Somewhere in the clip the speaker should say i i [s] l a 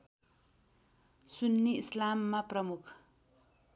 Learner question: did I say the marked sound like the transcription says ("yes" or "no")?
yes